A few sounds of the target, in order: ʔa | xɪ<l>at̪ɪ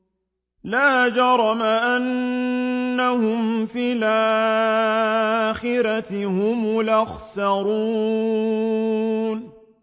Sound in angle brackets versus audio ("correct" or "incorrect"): incorrect